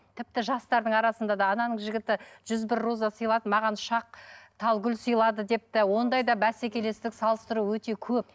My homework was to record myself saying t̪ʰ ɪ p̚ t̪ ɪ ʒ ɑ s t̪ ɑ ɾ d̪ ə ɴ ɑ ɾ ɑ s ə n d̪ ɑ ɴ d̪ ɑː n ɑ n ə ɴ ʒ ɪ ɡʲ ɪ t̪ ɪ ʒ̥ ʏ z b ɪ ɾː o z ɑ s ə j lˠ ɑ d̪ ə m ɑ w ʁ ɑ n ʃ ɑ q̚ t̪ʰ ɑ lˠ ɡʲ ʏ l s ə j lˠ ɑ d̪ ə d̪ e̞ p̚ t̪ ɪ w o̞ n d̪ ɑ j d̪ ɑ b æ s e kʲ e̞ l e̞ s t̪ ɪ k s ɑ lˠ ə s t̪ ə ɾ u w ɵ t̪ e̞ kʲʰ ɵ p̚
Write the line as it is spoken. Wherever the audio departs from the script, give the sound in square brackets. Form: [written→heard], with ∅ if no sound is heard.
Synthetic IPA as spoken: t̪ʰ ɪ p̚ t̪ ɪ ʒ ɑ s t̪ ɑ ɾ d̪ ə ɴ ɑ ɾ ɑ s ə n d̪ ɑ [ɴ→∅] d̪ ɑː n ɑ n ə ɴ ʒ ɪ ɡʲ ɪ t̪ ɪ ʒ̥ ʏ z b ɪ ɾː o z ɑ s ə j lˠ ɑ d̪ ə m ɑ [w→∅] ʁ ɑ n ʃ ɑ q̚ t̪ʰ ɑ lˠ ɡʲ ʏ l s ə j lˠ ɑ d̪ ə d̪ e̞ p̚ t̪ ɪ w o̞ n d̪ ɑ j d̪ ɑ b æ s e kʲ e̞ l e̞ s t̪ ɪ k s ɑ lˠ ə s t̪ ə ɾ u w ɵ t̪ e̞ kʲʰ ɵ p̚